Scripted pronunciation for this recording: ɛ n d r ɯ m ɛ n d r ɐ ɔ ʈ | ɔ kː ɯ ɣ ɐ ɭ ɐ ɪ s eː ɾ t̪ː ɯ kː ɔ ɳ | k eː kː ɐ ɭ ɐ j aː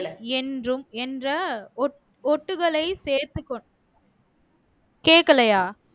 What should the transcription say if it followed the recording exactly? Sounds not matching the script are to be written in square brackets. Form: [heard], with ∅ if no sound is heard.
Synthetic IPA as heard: ɛ n d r ɯ m ɛ n d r ɐ ɔ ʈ | ɔ [ʈː] ɯ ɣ ɐ ɭ ɐ ɪ s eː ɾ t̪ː ɯ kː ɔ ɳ | k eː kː ɐ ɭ ɐ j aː